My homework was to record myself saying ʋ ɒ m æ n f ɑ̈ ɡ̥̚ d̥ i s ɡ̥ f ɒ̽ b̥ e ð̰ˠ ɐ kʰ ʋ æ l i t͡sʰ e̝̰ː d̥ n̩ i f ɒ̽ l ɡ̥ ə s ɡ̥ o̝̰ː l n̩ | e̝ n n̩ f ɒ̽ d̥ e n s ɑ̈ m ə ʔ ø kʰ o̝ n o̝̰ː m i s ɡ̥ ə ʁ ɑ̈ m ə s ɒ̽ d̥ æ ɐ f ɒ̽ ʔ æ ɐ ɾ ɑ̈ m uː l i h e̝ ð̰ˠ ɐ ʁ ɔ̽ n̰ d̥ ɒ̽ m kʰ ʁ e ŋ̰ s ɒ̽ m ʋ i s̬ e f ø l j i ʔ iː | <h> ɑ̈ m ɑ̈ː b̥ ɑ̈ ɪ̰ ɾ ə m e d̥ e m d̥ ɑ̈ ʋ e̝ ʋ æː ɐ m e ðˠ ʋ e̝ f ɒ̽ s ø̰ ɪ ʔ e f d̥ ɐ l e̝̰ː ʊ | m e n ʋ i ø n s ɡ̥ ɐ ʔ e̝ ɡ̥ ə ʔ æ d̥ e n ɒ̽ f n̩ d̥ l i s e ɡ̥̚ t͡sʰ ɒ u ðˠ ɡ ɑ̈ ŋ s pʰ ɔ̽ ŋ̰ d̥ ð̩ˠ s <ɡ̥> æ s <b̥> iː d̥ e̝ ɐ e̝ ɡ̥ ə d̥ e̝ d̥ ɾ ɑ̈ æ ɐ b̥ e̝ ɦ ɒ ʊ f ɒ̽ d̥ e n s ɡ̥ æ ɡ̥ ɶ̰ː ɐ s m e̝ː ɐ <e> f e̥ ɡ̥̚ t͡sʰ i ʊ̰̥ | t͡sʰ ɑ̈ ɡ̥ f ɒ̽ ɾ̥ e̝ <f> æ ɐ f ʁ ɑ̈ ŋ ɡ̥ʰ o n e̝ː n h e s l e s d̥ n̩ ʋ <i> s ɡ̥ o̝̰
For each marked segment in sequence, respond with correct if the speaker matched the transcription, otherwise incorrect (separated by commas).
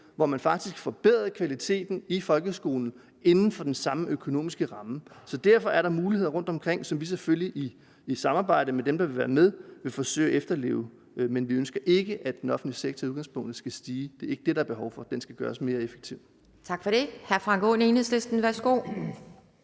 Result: incorrect, correct, incorrect, correct, incorrect, incorrect